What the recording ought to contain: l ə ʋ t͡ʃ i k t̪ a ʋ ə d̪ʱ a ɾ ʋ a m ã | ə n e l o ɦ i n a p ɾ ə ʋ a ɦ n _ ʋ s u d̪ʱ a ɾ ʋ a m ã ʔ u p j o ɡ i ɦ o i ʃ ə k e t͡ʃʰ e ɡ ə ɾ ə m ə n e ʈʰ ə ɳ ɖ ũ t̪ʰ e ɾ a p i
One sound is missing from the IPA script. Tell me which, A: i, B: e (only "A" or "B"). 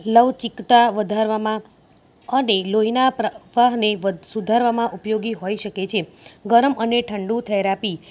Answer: B